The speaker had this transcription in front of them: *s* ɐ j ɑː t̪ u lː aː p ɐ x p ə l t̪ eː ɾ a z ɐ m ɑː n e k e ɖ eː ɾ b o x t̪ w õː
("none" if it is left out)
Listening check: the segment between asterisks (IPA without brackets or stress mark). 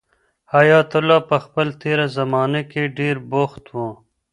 h